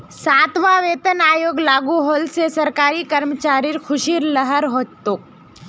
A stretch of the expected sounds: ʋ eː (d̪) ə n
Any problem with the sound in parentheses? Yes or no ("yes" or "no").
yes